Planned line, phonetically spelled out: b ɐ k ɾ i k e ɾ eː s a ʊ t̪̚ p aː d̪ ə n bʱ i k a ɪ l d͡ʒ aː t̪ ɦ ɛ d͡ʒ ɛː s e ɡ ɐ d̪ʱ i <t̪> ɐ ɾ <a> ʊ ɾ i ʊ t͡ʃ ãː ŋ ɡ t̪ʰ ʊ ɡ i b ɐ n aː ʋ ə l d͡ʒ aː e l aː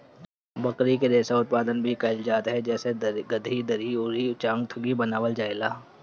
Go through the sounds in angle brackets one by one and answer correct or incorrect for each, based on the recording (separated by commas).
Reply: incorrect, incorrect